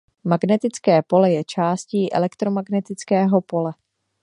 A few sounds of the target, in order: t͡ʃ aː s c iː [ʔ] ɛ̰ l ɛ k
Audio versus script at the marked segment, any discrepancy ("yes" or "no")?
no